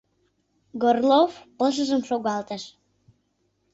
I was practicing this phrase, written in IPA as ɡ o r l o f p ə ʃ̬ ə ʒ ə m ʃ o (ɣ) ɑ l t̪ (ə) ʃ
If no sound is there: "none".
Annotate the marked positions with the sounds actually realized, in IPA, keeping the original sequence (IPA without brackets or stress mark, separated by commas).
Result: ɣ, ə